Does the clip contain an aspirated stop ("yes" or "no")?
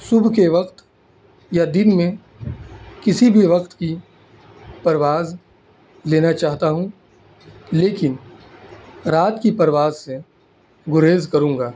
no